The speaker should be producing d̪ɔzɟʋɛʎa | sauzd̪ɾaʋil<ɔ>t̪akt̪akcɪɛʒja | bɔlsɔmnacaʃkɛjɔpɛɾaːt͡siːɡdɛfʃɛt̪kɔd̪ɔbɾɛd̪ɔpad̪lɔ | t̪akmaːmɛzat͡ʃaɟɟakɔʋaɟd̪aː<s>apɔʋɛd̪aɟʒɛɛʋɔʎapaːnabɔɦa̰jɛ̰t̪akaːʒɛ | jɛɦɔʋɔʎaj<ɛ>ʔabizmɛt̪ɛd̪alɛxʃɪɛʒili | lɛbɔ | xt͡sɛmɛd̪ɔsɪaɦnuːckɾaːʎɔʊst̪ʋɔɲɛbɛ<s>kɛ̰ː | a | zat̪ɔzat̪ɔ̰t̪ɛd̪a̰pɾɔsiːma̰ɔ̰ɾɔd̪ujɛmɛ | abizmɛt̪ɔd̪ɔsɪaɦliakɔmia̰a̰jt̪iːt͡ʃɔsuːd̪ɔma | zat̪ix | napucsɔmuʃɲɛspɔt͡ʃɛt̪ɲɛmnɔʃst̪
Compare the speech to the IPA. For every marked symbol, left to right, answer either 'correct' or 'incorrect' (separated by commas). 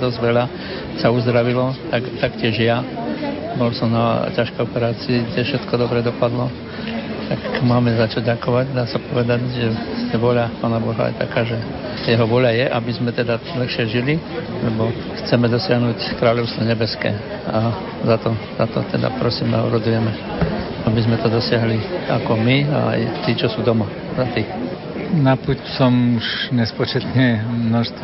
correct, correct, correct, correct